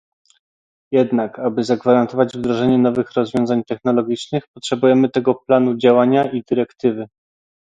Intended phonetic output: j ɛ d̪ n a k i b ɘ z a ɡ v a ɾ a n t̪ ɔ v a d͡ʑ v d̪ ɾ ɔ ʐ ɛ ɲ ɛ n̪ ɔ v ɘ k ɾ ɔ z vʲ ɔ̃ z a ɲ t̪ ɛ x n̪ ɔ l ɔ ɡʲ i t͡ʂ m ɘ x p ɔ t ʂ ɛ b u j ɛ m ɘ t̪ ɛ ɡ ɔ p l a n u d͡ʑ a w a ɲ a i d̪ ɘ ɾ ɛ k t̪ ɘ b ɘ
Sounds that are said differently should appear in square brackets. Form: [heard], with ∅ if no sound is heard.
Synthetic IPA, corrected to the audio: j ɛ d̪ n a k [a] b ɘ z a ɡ v a ɾ a n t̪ ɔ v a d͡ʑ v d̪ ɾ ɔ ʐ ɛ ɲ ɛ n̪ ɔ v ɘ [x] ɾ ɔ z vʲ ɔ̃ z a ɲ t̪ ɛ x n̪ ɔ l ɔ ɡʲ i t͡ʂ [n] ɘ x p ɔ t ʂ ɛ b u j ɛ m ɘ t̪ ɛ ɡ ɔ p l a n u d͡ʑ a w a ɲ a i d̪ ɘ ɾ ɛ k t̪ ɘ [v] ɘ